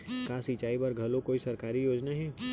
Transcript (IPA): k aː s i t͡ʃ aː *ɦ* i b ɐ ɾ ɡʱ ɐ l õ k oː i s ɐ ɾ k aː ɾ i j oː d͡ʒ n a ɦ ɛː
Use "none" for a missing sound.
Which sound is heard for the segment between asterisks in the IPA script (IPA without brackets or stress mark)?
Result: none